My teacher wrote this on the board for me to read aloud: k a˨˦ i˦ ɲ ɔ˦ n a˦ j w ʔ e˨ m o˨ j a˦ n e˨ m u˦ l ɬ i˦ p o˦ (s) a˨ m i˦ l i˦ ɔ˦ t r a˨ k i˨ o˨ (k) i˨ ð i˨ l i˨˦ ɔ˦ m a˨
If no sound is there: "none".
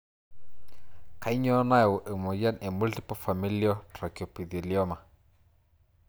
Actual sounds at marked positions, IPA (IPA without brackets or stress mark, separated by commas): f, p